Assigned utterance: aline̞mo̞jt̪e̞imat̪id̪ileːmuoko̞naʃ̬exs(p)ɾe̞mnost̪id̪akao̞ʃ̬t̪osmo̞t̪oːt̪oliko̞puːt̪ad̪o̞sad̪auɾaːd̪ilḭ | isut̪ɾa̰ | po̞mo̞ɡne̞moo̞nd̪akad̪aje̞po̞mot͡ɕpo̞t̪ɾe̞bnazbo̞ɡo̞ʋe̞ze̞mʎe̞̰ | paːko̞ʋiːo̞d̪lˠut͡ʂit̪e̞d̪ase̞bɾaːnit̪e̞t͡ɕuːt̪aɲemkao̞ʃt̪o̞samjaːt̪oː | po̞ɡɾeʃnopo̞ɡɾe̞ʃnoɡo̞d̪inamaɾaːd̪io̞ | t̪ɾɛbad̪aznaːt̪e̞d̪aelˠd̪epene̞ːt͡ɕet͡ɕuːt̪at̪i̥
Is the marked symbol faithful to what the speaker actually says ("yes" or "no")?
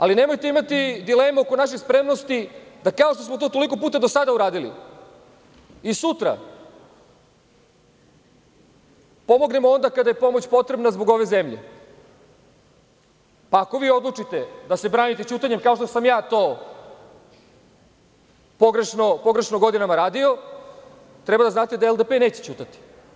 yes